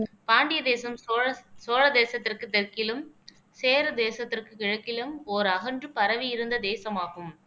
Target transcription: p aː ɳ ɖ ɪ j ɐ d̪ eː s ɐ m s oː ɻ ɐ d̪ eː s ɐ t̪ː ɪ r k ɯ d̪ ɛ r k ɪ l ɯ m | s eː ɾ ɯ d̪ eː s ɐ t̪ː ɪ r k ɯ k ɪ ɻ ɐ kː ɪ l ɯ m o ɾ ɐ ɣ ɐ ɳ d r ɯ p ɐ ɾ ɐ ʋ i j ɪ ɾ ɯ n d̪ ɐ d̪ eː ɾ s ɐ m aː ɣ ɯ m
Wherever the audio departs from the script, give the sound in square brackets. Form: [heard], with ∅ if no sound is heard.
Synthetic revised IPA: p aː ɳ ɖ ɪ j ɐ d̪ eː s ɐ m s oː ɻ ɐ d̪ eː s ɐ t̪ː ɪ r k ɯ [t̪] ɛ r k ɪ l ɯ m | s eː ɾ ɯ d̪ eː s ɐ t̪ː ɪ r k ɯ k ɪ ɻ ɐ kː ɪ l ɯ m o ɾ ɐ ɣ ɐ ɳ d r ɯ p ɐ ɾ ɐ ʋ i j ɪ ɾ ɯ n d̪ ɐ d̪ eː [∅] s ɐ m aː ɣ ɯ m